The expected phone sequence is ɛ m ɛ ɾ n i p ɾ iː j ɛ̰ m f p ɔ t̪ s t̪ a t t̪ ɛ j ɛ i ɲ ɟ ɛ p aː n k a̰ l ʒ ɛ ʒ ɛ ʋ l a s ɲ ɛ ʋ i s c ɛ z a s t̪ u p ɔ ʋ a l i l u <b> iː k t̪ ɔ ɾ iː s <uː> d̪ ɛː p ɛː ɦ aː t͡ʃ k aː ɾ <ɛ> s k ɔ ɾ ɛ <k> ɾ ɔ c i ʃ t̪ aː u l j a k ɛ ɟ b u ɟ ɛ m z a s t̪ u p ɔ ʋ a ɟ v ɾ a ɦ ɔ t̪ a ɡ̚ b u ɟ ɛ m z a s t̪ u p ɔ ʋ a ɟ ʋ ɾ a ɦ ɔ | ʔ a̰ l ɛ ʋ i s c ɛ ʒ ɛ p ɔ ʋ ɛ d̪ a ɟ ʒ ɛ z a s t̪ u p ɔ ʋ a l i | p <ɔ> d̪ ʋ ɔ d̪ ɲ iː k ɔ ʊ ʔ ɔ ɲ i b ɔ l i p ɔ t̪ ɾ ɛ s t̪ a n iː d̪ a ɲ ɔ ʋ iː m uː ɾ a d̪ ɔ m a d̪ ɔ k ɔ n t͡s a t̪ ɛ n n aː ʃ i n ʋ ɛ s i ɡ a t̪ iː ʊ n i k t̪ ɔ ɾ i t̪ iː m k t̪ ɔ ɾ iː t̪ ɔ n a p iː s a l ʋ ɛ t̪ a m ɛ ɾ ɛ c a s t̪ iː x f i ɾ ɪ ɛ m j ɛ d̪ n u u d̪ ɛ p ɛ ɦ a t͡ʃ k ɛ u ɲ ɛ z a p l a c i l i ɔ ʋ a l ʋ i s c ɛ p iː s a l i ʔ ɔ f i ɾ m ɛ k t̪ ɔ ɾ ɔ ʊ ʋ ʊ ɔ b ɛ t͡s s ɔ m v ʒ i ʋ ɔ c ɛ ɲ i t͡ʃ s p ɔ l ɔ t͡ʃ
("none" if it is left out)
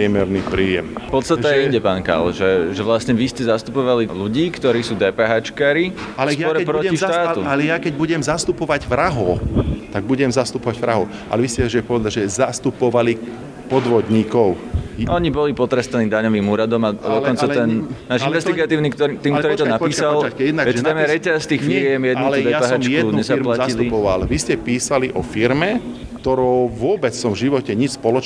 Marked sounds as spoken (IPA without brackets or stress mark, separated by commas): ɟ, uː, i, p, ɔ